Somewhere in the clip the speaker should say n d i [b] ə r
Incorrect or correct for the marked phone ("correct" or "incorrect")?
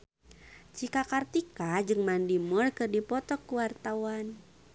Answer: incorrect